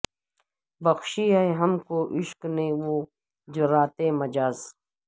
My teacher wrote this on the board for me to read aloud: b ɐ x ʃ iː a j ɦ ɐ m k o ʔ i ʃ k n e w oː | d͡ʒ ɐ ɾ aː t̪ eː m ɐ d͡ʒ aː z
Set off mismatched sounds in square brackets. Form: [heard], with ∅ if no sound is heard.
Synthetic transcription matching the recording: b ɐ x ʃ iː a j ɦ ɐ m k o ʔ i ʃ k n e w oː | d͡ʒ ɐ ɾ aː t̪ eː m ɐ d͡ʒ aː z